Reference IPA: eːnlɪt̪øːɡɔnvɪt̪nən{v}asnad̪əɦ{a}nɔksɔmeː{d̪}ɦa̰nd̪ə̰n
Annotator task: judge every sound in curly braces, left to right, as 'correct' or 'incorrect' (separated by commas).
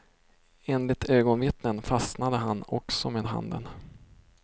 incorrect, correct, correct